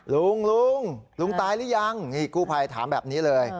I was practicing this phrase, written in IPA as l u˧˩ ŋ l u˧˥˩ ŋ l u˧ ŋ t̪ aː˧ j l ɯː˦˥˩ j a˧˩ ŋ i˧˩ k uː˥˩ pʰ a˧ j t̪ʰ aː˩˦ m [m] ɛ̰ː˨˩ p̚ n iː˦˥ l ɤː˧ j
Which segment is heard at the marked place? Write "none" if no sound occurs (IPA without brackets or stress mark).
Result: b